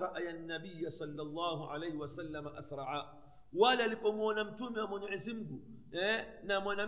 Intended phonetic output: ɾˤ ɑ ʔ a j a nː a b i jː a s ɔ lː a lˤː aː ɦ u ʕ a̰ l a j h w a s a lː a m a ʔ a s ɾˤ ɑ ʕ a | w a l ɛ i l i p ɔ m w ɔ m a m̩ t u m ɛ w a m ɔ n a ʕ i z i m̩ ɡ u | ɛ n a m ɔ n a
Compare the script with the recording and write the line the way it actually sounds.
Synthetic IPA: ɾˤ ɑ ʔ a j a nː a b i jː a s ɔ lː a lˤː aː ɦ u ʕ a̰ l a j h w a s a lː a m a ʔ a s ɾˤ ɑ ʕ a | w a l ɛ a l i p ɔ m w ɔ n a m̩ t u m ɛ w a m ɔ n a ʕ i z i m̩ ɡ u | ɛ n a m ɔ n a